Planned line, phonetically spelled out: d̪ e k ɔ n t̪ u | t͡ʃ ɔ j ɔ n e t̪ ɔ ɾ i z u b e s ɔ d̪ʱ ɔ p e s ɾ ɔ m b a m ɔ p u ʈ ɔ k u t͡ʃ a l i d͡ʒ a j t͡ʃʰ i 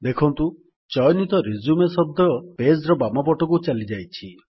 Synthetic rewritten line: d̪ e kʰ ɔ n t̪ u | t͡ʃ ɔ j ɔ n i t̪ ɔ ɾ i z u m e s ɔ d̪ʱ ɔ p e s ɾ ɔ b a m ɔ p ɔ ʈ ɔ k u t͡ʃ a l i d͡ʒ a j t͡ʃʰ i